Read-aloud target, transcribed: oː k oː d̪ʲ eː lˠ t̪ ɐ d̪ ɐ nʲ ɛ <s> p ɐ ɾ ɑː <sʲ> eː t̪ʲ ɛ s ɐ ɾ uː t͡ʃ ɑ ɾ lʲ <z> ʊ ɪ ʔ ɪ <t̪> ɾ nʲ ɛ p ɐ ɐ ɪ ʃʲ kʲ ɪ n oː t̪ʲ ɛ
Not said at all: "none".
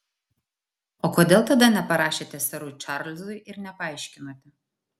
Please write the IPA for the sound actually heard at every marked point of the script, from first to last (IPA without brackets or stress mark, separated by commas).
none, ʃʲ, z, none